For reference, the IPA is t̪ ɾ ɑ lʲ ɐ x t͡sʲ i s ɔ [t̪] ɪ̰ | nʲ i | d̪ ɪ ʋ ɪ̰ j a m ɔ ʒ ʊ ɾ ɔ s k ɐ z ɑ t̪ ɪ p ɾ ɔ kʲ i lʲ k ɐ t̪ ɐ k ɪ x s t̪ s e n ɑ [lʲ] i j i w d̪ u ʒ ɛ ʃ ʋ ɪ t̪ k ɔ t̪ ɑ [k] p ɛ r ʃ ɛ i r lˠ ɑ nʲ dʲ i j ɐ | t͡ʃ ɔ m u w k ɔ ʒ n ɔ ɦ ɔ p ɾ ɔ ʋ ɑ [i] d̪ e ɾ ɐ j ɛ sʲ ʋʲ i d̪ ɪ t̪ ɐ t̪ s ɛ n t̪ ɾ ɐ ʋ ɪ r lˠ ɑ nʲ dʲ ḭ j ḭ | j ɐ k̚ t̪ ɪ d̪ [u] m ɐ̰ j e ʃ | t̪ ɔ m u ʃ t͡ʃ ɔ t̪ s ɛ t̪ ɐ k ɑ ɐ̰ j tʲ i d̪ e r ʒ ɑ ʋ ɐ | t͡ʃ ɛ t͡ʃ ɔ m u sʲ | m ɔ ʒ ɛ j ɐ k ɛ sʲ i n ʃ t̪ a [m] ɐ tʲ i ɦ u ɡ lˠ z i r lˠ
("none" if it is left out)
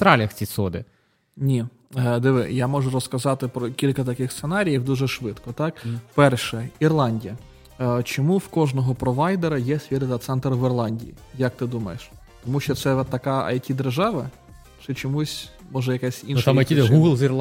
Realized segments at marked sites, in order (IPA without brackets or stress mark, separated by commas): d̪, ɾʲ, k, j, u, m